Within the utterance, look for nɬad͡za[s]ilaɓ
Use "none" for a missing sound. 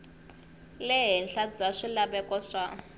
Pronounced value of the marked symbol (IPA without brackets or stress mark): ʂ